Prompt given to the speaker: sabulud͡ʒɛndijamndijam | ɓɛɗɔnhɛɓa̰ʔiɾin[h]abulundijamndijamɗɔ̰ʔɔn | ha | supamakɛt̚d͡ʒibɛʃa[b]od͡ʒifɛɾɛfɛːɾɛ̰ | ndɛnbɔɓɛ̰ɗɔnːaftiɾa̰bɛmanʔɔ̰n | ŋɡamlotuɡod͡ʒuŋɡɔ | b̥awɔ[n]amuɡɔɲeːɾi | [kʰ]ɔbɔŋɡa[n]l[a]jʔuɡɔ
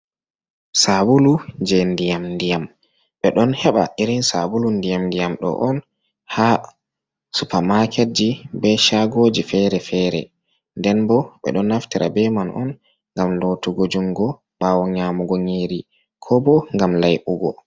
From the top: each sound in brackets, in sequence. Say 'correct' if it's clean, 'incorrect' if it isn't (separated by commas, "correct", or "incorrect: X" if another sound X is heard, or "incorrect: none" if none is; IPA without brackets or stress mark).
incorrect: s, incorrect: ɡ, incorrect: ɲ, correct, incorrect: m, correct